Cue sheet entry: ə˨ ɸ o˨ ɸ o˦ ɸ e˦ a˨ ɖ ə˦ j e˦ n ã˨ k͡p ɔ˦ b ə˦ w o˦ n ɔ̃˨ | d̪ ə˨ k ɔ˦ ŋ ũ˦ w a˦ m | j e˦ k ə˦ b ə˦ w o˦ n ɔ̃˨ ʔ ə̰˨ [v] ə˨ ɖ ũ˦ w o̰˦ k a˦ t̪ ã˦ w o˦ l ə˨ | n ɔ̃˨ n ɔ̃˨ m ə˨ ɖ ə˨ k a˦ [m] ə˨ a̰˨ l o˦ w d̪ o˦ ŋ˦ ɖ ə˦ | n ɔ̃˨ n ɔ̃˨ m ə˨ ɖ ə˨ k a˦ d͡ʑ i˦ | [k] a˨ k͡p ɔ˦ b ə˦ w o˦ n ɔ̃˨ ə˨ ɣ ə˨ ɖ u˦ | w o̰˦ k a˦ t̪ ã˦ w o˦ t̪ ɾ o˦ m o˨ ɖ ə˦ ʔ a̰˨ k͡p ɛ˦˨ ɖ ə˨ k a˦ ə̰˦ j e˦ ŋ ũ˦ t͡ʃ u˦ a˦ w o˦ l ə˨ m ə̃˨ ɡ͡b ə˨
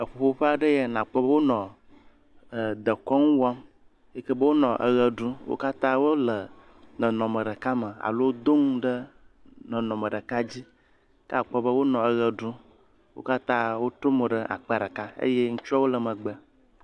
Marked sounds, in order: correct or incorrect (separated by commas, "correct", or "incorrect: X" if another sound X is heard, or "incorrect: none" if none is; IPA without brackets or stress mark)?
incorrect: ɣ, correct, correct